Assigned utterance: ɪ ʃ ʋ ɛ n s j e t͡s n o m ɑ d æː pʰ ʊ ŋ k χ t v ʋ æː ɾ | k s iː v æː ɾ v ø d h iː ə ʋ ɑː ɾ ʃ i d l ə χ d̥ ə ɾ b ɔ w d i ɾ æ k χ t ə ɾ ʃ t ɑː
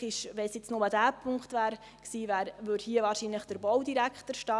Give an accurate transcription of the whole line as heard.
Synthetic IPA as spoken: ɪ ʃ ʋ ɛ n s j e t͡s n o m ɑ d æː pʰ ʊ ŋ k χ t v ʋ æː ɾ | k s iː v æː ɾ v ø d h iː ə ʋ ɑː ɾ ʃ i n l ə χ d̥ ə ɾ b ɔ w d i ɾ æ k χ t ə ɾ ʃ t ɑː